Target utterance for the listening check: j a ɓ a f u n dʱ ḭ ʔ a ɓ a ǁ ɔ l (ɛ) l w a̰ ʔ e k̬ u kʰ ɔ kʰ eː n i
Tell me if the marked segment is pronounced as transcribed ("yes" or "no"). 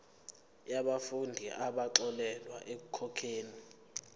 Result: yes